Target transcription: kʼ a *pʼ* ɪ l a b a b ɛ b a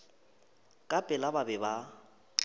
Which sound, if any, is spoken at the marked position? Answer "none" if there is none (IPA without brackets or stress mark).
pʼ